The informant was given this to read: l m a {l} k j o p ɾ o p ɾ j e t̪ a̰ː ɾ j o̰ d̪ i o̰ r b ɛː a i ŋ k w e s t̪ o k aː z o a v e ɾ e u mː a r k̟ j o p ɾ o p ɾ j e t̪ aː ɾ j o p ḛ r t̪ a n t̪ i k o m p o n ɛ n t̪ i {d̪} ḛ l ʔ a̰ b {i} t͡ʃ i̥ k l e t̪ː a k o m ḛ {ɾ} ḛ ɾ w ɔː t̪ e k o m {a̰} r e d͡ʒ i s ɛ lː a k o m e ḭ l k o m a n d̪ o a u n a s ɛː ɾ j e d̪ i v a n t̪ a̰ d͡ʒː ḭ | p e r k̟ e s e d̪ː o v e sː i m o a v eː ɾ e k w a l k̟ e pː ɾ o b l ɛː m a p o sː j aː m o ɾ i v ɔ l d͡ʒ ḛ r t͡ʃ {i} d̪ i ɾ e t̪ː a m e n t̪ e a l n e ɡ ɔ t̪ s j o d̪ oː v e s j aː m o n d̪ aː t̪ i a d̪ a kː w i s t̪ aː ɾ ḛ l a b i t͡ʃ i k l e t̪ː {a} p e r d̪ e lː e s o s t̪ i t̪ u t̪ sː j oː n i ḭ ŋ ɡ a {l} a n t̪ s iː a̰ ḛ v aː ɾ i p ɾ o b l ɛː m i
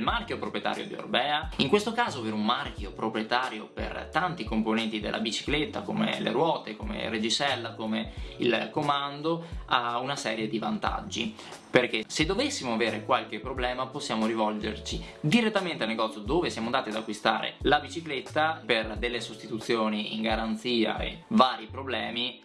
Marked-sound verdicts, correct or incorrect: incorrect, correct, correct, incorrect, incorrect, correct, correct, incorrect

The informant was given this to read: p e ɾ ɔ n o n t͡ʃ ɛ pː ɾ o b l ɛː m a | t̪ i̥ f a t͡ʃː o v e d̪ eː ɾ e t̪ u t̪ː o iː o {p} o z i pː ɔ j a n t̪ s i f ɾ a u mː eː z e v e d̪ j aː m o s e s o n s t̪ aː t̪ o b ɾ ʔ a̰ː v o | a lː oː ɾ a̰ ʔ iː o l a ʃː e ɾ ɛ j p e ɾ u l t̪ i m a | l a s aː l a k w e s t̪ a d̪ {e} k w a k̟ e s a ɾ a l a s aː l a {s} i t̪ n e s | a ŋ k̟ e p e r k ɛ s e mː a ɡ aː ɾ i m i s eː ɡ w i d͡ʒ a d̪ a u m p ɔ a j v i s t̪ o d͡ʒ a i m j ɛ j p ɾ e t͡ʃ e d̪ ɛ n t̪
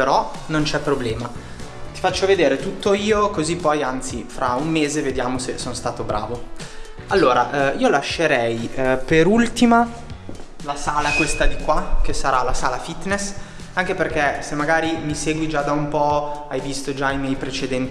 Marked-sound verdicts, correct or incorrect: incorrect, incorrect, incorrect

